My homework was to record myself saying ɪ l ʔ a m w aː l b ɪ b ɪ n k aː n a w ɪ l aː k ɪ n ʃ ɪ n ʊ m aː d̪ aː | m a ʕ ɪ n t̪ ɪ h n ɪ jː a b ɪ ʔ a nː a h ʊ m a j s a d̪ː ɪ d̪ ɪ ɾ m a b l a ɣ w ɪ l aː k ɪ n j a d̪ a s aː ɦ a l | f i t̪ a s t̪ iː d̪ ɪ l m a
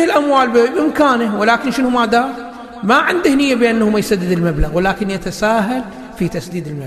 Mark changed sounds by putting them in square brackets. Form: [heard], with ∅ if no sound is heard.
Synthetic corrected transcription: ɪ l ʔ a m w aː l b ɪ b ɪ [m] k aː n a w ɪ l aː k ɪ n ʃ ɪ n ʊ m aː d̪ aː | m a ʕ ɪ n [d̪] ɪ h n ɪ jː a b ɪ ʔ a nː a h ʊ m a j s a d̪ː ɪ d̪ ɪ [l] m a b l a ɣ w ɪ l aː k ɪ n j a [t̪] a s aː ɦ a l | f i t̪ a s [d̪] iː d̪ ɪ l m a